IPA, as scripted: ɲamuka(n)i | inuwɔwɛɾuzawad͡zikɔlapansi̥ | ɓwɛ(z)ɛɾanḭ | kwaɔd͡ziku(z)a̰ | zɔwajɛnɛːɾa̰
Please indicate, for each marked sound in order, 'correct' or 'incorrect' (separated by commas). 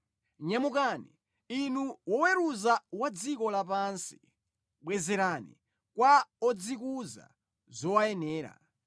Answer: correct, correct, correct